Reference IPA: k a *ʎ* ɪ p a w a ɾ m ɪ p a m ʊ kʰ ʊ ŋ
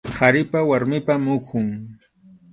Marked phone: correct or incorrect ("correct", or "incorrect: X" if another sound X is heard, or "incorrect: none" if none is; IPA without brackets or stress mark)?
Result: incorrect: ɾ